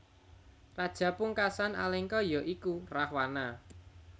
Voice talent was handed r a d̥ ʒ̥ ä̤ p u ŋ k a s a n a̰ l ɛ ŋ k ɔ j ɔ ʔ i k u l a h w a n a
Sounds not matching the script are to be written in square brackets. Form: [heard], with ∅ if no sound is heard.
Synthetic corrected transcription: r a d̥ ʒ̥ ä̤ p u ŋ k a s a n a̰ l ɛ ŋ k ɔ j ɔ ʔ i k u [r] a h w a n a